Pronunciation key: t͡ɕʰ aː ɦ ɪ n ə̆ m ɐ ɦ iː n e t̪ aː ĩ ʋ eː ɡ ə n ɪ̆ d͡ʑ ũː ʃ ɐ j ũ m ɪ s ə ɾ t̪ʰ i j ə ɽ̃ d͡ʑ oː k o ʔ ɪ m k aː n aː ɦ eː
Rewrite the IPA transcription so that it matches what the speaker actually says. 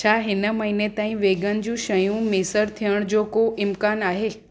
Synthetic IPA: t͡ɕʰ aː ɦ ɪ n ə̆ m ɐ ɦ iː n e t̪ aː ĩ ʋ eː ɡ ə n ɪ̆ d͡ʑ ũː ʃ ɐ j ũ m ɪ s ə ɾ t̪ʰ i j ə ɽ̃ d͡ʑ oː k o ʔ ɪ m k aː n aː ɦ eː